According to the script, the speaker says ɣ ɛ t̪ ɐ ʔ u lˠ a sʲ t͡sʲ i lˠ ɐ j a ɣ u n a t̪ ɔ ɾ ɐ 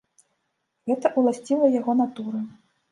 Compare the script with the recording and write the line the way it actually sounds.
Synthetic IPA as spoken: ɣ ɛ t̪ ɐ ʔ u lˠ a sʲ t͡sʲ i lˠ ɐ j a ɣ ɔ n a t̪ u ɾ ɐ